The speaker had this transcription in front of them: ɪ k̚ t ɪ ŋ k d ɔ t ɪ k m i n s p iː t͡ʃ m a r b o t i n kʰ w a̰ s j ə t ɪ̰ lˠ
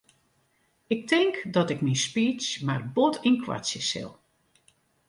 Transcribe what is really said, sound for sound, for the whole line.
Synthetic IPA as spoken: ɪ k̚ t ɪ ŋ k d ɔ t ɪ k m i n s p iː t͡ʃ m a r b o t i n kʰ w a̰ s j ə s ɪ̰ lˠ